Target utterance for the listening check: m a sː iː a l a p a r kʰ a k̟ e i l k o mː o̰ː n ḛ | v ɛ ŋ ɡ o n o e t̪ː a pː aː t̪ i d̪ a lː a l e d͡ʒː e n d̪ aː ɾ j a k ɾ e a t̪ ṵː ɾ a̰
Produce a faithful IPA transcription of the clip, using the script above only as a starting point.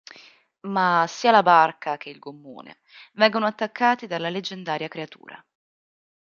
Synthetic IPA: m a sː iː a l a b a r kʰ a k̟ e i l ɡ o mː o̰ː n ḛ | v ɛ ŋ ɡ o n o a t̪ː a kː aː t̪ i d̪ a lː a l e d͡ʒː e n d̪ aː ɾ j a k ɾ e a t̪ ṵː ɾ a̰